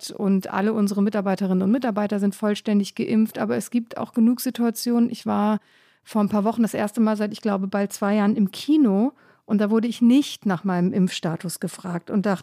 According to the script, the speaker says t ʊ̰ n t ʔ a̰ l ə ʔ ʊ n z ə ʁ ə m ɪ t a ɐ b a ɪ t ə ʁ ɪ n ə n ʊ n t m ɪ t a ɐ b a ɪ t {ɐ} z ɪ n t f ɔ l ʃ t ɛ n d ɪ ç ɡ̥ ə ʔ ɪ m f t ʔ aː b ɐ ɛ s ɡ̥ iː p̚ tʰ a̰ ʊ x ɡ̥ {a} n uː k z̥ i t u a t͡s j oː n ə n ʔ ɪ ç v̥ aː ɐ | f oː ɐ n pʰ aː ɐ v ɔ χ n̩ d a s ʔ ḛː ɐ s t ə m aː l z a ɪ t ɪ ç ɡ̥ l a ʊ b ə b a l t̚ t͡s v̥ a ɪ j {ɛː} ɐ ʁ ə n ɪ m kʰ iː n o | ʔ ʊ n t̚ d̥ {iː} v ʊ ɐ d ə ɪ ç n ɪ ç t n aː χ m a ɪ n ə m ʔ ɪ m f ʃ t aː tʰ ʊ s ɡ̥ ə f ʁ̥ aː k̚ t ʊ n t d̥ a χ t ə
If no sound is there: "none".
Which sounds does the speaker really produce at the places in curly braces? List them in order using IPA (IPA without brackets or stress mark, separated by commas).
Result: ɐ, ə, aː, aː